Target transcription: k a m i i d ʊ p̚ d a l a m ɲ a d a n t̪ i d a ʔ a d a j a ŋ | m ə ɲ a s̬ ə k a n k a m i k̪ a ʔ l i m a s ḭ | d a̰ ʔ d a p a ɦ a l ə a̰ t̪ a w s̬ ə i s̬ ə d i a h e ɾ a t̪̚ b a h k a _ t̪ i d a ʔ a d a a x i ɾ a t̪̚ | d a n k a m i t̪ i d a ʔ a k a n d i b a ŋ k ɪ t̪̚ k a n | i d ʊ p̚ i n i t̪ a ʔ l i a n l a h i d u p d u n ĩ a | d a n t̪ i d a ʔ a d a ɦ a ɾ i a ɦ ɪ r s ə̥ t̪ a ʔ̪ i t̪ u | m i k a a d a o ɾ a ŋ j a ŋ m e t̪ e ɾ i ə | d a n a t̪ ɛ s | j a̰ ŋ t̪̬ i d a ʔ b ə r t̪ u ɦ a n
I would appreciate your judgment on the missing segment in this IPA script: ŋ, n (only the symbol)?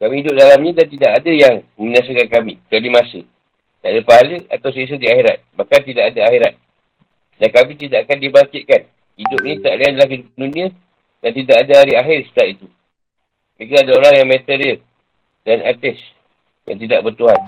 n